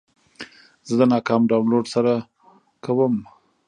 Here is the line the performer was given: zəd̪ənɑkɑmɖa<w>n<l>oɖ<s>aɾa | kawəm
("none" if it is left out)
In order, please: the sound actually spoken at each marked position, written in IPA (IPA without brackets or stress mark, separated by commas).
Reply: w, l, s